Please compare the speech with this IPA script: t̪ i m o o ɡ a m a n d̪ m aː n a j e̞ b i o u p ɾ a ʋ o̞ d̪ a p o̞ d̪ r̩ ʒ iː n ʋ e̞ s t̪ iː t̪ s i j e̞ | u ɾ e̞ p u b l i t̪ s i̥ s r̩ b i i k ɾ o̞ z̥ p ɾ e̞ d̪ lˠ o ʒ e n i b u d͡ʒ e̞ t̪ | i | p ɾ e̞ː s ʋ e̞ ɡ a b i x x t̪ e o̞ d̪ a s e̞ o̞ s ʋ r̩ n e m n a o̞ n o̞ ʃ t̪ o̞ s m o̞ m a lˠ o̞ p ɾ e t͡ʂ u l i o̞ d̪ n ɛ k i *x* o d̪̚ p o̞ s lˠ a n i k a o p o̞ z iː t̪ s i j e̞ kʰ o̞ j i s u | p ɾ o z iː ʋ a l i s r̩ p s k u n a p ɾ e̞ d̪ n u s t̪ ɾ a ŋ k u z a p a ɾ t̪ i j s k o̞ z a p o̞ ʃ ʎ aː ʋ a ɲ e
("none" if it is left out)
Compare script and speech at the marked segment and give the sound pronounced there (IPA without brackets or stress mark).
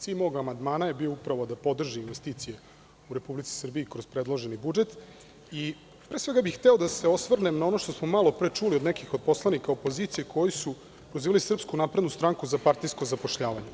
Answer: x